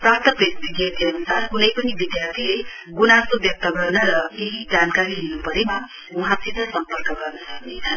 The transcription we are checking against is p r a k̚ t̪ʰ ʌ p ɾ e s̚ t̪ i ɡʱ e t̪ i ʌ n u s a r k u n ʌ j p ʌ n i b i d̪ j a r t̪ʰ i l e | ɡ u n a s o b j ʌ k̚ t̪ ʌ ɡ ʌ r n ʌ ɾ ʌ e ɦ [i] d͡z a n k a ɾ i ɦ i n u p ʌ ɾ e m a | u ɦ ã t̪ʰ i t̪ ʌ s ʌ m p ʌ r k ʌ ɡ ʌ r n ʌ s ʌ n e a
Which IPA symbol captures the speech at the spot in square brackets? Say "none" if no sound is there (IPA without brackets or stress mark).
i